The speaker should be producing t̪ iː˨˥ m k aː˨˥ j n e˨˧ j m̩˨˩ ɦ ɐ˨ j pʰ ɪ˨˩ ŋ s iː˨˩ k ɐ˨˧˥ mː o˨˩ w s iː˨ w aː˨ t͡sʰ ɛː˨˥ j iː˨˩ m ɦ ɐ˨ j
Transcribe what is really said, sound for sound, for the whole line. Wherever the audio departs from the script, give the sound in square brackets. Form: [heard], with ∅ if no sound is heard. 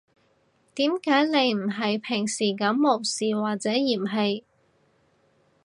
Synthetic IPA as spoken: t̪ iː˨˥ m k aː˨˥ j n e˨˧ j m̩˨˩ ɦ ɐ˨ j pʰ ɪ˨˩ ŋ s iː˨˩ k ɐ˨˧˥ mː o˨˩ w s iː˨ w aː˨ [t͡s] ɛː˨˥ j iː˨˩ m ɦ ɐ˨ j